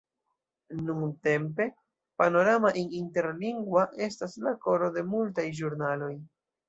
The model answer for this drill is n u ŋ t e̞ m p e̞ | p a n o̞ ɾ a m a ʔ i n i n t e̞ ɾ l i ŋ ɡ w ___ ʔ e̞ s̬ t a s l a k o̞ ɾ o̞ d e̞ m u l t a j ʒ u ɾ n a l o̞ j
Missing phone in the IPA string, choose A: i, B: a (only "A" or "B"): B